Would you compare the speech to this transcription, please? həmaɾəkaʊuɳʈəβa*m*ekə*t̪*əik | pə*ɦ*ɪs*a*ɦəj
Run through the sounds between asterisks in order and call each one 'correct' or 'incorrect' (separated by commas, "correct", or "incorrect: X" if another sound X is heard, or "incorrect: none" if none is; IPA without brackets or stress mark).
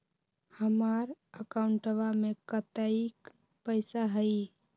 correct, correct, incorrect: none, correct